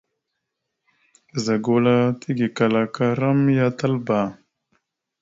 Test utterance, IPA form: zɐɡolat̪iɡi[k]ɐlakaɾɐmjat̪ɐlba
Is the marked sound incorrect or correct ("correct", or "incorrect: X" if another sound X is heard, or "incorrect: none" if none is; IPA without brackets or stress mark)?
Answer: correct